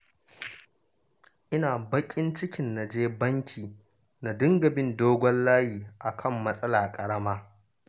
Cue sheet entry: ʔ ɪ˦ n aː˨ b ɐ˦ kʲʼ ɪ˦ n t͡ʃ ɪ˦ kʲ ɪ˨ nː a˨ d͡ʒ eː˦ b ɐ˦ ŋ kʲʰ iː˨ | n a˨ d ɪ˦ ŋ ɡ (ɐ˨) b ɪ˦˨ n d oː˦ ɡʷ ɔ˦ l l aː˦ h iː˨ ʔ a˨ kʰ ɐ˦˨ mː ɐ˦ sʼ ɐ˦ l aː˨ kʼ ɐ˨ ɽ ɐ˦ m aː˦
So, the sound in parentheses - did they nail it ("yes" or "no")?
yes